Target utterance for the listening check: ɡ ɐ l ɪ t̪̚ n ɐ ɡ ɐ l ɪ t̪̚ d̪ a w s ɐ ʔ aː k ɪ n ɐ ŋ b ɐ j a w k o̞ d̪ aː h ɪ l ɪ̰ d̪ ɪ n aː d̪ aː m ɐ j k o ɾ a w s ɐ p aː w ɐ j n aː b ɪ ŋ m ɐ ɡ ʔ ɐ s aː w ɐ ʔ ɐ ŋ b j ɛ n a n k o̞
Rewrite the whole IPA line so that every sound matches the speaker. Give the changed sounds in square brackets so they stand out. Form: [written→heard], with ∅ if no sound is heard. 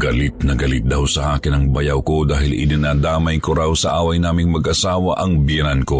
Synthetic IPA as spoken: ɡ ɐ l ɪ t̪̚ n ɐ ɡ ɐ l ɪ t̪̚ d̪ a w s ɐ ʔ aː k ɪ n ɐ ŋ b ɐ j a w k o̞ d̪ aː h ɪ l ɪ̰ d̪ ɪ n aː d̪ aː m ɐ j k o ɾ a w s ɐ [p→ʔ] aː w ɐ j n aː [b→m] ɪ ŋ m ɐ ɡ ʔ ɐ s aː w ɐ ʔ ɐ ŋ b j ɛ n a n k o̞